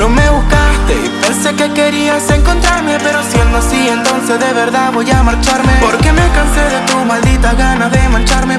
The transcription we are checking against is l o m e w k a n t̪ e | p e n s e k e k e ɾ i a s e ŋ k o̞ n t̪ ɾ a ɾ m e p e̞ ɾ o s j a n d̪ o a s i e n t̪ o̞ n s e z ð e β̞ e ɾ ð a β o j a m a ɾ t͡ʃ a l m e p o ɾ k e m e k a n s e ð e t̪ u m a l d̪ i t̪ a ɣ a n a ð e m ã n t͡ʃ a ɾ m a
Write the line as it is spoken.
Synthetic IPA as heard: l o m e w k a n t̪ e | p e n s e k e k e ɾ i a s e ŋ k o̞ n t̪ ɾ a ɾ m e p e̞ ɾ o s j e n d̪ o a s i e n t̪ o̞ n s e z ð e β̞ e ɾ ð a β o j a m a ɾ t͡ʃ a ɾ m e p o ɾ k e m e k a n s e ð e t̪ u m a l d̪ i t̪ a ɣ a n a ð e m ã n t͡ʃ a ɾ m e